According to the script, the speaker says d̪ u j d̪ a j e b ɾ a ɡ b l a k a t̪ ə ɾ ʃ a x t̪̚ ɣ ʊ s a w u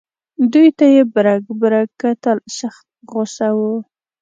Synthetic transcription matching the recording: d̪ u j t̪ a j e b ɾ a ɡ b ɾ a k a t̪ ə l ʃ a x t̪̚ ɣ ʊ s a w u